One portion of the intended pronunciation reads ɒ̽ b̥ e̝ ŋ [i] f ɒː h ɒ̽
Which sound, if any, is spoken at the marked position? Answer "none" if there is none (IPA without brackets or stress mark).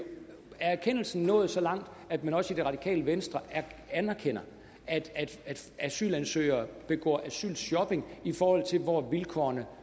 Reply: i